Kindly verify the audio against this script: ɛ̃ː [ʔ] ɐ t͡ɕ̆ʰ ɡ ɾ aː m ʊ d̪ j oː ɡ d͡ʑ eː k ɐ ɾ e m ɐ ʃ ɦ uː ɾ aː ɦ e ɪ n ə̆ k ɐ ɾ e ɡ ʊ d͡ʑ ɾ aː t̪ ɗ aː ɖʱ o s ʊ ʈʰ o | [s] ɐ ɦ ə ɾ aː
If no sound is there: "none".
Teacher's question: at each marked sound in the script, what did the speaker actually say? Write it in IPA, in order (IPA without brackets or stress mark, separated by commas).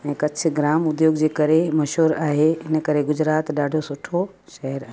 k, ʃ